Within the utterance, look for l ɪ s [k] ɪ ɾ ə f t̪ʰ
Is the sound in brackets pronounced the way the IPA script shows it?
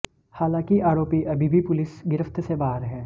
no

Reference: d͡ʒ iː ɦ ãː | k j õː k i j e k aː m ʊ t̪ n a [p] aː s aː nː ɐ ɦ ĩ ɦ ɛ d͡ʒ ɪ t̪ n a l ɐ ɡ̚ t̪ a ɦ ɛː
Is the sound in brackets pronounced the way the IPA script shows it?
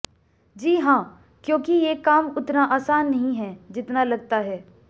no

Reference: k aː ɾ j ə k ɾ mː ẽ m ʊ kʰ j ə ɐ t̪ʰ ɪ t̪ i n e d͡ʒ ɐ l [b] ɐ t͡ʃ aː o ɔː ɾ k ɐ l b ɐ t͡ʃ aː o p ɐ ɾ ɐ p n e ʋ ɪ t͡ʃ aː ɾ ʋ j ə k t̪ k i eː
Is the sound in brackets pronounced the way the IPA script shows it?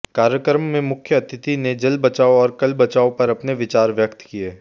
yes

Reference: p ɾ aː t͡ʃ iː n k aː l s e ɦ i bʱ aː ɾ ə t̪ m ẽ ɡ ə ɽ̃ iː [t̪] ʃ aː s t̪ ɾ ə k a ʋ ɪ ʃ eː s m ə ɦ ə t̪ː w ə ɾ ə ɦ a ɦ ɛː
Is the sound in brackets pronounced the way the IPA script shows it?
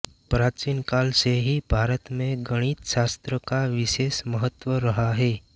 yes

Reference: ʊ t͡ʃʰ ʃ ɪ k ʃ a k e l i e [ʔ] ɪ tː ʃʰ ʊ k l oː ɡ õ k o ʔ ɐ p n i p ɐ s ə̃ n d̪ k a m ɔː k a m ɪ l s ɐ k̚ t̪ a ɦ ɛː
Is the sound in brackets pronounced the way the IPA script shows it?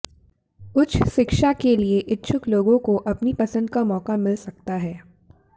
yes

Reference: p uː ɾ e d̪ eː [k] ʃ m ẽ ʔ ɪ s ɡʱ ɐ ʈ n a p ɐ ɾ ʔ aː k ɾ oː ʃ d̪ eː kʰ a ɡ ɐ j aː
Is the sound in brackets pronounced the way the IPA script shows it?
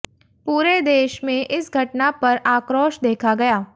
no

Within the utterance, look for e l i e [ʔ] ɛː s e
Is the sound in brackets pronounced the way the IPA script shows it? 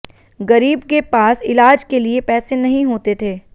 no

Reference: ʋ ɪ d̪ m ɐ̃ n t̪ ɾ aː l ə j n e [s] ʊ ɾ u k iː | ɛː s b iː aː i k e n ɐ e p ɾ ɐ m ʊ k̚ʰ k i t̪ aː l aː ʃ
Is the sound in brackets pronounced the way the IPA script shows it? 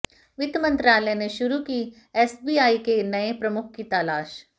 no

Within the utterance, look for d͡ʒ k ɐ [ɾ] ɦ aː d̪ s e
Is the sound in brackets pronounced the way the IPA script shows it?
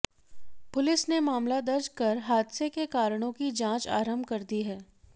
yes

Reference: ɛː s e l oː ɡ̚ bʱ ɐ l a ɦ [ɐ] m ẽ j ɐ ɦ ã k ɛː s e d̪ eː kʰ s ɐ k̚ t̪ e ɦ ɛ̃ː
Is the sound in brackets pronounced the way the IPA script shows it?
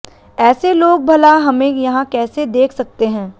yes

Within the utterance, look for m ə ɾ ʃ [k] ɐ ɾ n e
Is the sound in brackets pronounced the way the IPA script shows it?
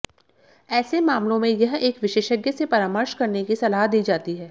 yes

